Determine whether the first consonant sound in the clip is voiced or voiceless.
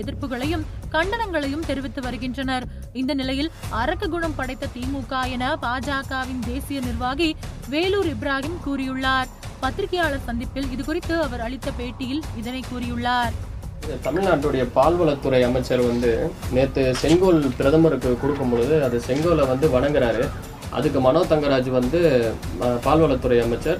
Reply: voiced